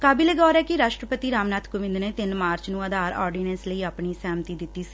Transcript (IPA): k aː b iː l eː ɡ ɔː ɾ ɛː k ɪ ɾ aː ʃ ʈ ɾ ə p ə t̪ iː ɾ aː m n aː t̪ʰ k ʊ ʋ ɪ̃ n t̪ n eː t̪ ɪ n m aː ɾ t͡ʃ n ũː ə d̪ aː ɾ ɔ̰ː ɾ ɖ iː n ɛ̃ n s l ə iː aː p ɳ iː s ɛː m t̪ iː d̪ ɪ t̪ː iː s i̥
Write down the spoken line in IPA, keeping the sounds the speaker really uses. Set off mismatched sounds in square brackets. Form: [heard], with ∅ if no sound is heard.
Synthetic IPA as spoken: k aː b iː l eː ɡ ɔː ɾ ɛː k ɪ ɾ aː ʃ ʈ ɾ ə p ə t̪ iː ɾ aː m n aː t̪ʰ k ʊ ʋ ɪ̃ n [d̪] n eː t̪ ɪ n m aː ɾ t͡ʃ n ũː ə d̪ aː ɾ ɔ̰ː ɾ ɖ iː n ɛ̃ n s l ə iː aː p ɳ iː s ɛː m t̪ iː d̪ ɪ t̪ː iː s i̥